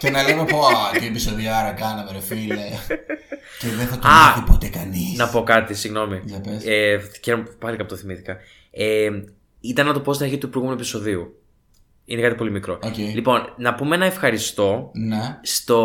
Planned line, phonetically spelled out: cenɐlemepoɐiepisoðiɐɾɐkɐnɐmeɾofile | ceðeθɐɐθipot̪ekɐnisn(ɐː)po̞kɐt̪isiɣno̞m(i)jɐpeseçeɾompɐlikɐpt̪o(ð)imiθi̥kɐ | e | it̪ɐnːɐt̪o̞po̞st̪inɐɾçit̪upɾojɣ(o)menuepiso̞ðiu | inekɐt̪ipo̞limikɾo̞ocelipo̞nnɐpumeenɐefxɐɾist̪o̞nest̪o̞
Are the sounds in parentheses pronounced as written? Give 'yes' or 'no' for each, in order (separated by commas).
no, yes, no, no